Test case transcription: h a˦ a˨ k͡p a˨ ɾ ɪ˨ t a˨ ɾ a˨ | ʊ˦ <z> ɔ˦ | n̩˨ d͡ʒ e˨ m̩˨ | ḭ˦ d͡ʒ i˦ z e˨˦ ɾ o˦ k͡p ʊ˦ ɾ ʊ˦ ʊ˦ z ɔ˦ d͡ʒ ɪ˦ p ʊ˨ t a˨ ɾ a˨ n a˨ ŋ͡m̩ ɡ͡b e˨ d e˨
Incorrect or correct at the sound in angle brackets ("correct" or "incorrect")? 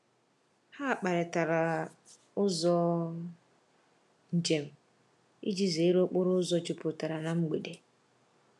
correct